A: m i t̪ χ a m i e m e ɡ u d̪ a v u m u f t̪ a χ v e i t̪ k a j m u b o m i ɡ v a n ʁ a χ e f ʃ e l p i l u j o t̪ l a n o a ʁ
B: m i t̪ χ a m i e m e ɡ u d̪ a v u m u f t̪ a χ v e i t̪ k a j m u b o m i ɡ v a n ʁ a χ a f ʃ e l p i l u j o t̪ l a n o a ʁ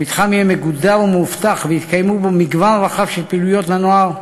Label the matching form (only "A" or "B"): B